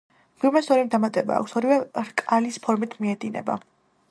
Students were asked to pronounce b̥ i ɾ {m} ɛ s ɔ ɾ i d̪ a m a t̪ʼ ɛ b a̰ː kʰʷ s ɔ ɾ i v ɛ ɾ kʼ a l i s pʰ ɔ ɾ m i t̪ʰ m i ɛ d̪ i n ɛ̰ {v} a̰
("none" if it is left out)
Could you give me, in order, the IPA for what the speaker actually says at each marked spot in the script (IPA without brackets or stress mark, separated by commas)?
m, b